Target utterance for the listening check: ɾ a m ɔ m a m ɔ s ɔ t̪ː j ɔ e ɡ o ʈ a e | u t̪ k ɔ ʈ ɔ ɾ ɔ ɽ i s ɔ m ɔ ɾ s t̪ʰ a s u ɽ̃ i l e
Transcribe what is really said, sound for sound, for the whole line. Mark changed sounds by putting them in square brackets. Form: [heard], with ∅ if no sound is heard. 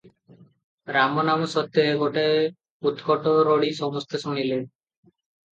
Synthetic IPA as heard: ɾ a m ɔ [n] a m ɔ s ɔ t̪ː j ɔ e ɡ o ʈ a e | u t̪ k ɔ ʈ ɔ ɾ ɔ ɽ i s ɔ m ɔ [∅] s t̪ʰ [e] s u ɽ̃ i l e